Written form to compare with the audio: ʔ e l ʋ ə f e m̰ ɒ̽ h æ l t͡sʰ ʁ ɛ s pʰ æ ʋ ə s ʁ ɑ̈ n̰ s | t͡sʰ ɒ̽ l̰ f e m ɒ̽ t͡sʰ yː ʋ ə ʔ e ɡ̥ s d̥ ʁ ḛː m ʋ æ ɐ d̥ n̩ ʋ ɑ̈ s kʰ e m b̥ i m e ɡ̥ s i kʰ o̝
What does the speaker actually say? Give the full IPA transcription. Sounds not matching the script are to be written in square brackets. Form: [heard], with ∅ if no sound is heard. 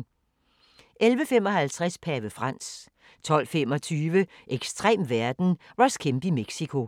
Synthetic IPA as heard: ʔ e l ʋ ə f e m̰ ɒ̽ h æ l t͡sʰ ʁ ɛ s pʰ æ ʋ ə [f] ʁ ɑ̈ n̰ s | t͡sʰ ɒ̽ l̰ f e m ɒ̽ t͡sʰ yː ʋ ə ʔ e ɡ̥ s d̥ ʁ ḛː m ʋ æ ɐ d̥ n̩ ʋ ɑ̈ s kʰ e m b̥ i m e ɡ̥ s i kʰ o̝